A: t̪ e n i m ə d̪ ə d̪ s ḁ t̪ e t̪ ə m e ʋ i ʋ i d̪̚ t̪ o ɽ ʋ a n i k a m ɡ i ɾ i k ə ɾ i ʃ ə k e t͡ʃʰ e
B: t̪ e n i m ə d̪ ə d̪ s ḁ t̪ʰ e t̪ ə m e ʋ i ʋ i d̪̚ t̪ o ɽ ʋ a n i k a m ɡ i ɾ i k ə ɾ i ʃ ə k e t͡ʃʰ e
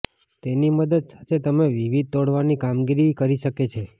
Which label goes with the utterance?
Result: B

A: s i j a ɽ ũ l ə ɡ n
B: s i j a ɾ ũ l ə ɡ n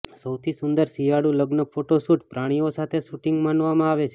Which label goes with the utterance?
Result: A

